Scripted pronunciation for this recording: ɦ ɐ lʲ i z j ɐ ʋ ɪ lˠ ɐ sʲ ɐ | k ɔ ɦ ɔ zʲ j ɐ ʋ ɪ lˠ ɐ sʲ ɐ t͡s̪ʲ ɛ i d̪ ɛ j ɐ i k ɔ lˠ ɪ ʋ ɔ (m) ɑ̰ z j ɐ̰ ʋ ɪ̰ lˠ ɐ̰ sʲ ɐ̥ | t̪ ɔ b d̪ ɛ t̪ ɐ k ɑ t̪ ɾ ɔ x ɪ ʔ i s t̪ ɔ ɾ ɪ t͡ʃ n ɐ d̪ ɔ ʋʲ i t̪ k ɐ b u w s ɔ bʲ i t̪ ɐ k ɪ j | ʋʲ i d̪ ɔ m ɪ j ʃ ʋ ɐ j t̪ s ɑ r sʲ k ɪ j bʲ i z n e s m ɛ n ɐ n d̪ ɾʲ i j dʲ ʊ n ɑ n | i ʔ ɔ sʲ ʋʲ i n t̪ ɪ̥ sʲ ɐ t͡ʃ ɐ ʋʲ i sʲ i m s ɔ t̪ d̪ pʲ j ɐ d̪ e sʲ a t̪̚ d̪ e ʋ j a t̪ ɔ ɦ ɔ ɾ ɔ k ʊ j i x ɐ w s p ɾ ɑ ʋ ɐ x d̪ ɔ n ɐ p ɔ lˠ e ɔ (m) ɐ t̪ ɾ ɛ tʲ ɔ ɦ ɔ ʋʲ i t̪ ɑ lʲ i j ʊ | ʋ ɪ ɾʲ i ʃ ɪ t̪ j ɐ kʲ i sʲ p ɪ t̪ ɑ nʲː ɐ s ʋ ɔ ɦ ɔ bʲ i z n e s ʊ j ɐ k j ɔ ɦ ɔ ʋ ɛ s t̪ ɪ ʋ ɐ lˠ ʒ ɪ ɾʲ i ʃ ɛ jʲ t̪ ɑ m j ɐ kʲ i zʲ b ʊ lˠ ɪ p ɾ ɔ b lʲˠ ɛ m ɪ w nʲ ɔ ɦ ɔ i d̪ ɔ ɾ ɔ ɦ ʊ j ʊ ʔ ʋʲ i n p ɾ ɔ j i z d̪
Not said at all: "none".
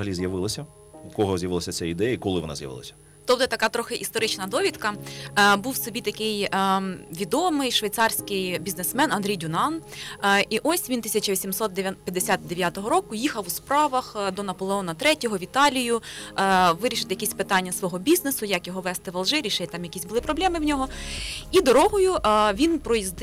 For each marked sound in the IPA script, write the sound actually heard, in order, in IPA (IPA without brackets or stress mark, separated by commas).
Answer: n, n